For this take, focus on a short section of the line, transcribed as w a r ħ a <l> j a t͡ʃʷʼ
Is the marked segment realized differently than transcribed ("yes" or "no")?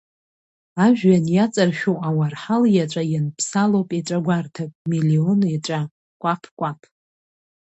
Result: no